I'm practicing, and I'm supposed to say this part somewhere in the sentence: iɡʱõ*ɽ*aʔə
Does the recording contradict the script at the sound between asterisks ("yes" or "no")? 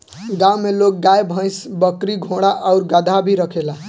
no